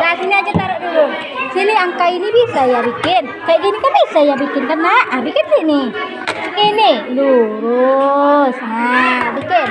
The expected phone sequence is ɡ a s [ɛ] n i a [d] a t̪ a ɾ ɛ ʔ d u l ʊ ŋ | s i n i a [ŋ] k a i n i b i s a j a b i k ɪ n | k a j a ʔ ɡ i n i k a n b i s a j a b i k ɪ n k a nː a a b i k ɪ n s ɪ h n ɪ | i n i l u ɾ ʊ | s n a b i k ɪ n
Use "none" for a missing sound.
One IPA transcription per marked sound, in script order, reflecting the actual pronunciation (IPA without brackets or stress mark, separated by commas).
i, d͡ʒ, ŋ